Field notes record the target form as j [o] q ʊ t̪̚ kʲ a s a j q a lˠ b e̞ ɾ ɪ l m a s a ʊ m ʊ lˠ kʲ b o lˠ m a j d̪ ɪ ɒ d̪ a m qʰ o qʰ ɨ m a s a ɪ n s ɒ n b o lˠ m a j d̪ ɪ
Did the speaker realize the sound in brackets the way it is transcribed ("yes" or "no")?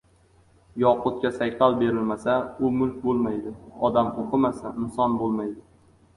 no